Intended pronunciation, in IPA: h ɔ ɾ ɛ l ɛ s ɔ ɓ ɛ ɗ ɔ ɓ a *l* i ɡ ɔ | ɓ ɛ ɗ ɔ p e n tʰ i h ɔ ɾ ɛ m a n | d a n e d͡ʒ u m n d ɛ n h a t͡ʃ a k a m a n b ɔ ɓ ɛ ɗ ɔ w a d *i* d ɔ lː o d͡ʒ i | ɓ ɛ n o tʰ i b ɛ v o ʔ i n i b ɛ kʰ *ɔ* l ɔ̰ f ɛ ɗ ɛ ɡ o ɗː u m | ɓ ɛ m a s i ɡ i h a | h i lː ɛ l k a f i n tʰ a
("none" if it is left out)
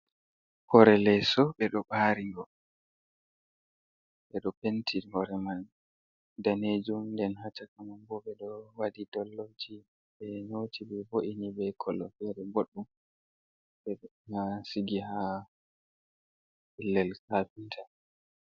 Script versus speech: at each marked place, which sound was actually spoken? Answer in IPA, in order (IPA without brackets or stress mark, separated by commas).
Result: ɾ, i, ɔ